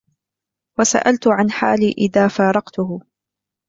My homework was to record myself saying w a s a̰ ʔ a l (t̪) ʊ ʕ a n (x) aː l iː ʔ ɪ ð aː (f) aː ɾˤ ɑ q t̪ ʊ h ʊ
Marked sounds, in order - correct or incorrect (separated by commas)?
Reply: correct, incorrect, correct